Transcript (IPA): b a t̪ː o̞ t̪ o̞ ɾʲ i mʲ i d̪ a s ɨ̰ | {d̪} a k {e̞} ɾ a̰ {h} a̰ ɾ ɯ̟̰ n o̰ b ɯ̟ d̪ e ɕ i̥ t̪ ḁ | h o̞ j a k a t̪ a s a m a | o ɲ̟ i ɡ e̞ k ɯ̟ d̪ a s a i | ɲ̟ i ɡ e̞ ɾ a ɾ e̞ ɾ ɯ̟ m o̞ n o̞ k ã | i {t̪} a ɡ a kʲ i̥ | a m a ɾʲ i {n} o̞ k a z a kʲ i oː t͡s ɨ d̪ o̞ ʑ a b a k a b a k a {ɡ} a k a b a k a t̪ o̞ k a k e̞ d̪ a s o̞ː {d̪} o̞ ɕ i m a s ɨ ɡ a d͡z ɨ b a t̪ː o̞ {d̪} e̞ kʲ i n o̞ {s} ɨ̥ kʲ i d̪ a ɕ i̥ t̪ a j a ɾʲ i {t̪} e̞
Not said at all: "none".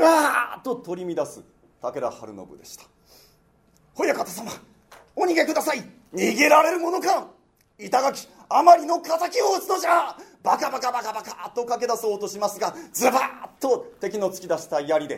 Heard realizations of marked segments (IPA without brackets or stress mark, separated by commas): t̪, e̞, h, t̪, n, b, t̪, t̪, t͡s, d̪